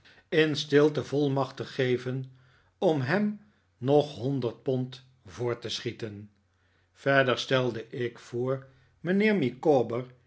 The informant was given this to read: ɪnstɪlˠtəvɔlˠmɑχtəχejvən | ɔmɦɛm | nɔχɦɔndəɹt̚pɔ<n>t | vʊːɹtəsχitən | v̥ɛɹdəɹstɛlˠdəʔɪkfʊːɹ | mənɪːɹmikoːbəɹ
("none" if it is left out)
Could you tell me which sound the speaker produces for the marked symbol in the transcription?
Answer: n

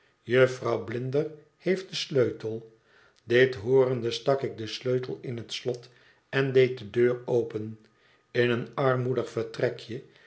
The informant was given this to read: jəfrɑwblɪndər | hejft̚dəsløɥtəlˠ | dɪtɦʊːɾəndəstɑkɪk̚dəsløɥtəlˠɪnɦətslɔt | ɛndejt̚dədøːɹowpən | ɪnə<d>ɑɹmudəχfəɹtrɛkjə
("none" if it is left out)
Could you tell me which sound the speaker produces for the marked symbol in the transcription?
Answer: n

